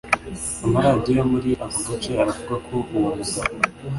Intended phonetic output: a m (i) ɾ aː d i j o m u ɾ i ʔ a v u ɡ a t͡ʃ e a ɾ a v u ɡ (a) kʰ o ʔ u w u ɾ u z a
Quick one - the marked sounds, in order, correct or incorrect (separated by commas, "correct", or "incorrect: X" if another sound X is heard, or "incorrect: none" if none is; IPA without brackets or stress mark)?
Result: incorrect: a, correct